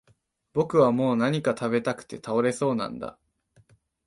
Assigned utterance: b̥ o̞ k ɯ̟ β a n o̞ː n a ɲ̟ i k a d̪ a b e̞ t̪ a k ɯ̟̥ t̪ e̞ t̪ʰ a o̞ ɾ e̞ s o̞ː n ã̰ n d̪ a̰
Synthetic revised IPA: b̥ o̞ k ɯ̟ β a m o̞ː n a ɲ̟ i k a t̪ a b e̞ t̪ a k ɯ̟̥ t̪ e̞ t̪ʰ a o̞ ɾ e̞ s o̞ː n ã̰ n d̪ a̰